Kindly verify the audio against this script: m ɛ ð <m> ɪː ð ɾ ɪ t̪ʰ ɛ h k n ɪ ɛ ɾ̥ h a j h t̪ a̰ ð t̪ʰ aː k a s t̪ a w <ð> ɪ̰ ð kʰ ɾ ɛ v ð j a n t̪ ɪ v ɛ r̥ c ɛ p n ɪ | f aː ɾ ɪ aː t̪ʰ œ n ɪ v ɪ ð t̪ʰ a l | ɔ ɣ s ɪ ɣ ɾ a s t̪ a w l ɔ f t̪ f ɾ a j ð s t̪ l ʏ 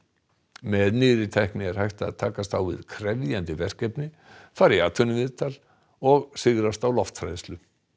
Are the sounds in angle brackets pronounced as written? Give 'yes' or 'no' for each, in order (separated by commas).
no, no